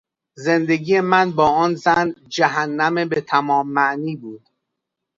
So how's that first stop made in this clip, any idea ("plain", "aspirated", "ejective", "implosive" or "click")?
plain